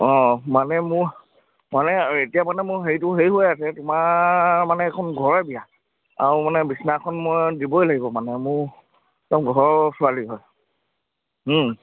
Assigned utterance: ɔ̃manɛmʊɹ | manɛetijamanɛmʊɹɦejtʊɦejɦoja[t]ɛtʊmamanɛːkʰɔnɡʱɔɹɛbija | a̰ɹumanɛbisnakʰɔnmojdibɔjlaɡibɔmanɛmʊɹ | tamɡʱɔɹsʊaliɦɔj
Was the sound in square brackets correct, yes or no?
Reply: no